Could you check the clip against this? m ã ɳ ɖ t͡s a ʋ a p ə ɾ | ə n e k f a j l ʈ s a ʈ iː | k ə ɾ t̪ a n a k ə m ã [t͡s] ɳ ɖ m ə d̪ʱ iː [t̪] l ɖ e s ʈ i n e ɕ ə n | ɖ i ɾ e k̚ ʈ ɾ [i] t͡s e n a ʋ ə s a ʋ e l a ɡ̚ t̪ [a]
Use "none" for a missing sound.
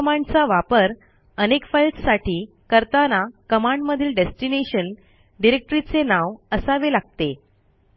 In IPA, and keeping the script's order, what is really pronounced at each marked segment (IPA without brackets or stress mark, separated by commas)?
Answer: none, none, i, e